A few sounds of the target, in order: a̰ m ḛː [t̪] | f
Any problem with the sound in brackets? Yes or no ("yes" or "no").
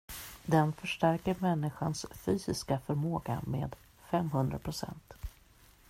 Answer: yes